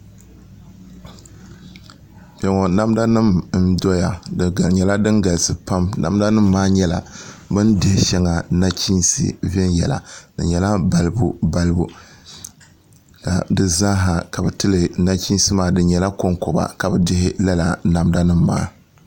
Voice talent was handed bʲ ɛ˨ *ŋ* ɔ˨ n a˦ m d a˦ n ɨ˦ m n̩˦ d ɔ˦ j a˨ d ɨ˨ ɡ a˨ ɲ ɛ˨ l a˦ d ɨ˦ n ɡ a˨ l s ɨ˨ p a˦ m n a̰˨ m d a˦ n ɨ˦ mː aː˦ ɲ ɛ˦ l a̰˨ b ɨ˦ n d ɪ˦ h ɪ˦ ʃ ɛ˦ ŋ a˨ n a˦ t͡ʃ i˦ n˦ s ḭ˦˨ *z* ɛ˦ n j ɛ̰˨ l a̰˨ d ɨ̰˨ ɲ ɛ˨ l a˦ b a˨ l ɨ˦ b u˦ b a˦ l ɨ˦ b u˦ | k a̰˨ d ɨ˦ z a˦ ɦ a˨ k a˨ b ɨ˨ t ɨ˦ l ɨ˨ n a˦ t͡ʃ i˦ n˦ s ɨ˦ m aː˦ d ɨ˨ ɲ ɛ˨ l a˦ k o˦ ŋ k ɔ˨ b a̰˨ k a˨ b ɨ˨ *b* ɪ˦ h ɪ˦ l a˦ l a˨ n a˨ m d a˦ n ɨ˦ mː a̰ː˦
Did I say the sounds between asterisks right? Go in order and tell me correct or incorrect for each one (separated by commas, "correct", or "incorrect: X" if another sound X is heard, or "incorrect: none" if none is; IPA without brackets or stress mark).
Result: correct, incorrect: v, incorrect: d